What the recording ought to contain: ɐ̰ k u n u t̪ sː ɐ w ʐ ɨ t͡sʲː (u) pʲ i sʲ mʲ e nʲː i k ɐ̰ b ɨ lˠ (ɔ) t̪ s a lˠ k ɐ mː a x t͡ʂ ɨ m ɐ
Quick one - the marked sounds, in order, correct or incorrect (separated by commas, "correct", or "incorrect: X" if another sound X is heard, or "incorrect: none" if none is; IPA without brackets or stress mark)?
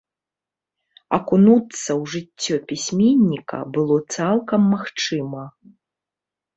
incorrect: ɔ, correct